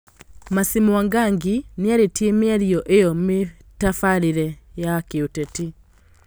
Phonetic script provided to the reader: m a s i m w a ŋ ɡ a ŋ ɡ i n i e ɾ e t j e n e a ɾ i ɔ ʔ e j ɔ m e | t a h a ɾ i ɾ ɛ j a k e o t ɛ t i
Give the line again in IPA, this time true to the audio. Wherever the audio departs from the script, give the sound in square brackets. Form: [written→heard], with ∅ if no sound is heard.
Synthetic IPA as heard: m a s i m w a ŋ ɡ a ŋ ɡ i n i [e→a] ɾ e t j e [n→m] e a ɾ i ɔ ʔ e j ɔ m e | t a [h→f] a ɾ i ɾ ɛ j a k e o t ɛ t i